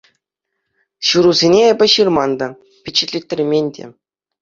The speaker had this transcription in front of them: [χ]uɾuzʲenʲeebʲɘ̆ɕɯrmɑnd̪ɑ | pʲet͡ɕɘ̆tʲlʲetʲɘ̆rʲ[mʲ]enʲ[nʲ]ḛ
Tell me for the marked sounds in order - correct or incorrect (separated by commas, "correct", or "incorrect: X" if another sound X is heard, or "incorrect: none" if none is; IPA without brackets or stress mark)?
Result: incorrect: ɕ, correct, incorrect: dʲ